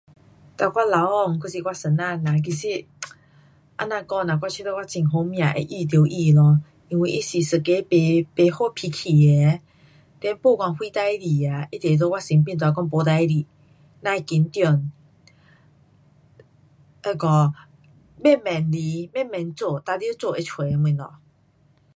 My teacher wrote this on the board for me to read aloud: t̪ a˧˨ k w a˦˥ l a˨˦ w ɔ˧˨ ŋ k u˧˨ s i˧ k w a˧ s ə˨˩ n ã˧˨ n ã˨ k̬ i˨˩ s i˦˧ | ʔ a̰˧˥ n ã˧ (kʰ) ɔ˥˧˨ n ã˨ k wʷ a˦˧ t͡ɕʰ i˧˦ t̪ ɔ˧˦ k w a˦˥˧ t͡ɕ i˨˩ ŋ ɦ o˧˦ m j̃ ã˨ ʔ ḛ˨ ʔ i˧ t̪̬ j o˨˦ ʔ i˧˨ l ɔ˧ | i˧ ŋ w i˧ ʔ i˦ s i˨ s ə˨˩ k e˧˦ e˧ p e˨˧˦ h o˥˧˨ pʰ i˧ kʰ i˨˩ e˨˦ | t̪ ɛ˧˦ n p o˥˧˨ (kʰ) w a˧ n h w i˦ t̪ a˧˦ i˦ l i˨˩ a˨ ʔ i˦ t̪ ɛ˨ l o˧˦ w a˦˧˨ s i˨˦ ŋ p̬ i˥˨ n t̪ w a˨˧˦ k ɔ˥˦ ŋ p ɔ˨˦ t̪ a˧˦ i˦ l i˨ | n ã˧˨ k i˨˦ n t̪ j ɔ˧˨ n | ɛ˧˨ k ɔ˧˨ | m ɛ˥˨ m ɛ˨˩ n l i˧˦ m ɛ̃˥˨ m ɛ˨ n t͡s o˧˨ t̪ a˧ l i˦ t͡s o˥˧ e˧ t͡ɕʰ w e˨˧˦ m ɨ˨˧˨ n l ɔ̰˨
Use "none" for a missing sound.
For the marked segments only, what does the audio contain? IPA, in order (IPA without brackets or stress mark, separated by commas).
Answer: k, k